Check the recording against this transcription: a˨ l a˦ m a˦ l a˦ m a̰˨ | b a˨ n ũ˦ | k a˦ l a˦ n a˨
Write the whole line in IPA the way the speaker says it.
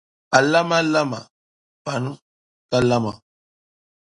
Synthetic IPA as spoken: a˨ l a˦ m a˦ l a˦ m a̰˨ | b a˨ n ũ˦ | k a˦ l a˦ m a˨